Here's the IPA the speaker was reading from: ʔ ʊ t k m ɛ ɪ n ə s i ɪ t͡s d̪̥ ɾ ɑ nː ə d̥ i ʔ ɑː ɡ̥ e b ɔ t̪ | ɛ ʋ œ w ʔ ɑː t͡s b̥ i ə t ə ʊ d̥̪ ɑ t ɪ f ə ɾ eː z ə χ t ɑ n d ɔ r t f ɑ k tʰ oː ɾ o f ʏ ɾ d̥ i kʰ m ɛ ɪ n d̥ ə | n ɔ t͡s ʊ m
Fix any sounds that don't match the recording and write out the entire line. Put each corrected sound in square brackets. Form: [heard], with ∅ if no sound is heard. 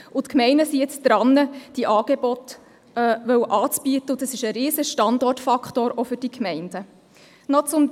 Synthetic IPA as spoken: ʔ ʊ t k m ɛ ɪ n ə s i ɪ t͡s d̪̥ ɾ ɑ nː ə d̥ i ʔ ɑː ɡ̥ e b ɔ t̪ | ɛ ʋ œ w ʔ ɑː t͡s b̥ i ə t ə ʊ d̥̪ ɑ [s] ɪ [ʃ] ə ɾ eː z ə [ʃ] t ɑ n d ɔ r t f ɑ k [t] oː ɾ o f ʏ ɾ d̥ i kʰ m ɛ ɪ n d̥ ə | n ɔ t͡s ʊ m